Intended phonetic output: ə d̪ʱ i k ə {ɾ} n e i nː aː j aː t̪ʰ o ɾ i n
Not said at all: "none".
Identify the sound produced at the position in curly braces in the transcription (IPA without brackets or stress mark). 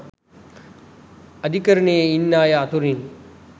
ɾ